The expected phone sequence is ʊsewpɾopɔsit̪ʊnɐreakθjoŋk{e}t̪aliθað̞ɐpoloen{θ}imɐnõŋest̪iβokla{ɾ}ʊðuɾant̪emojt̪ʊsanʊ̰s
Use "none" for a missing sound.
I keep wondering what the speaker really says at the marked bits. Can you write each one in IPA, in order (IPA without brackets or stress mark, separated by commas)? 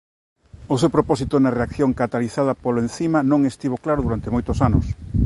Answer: a, θ, ɾ